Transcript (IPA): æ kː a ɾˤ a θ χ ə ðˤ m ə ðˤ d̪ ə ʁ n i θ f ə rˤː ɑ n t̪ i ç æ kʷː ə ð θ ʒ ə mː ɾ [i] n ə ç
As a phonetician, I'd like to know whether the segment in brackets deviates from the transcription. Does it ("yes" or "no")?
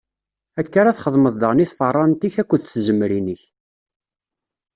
no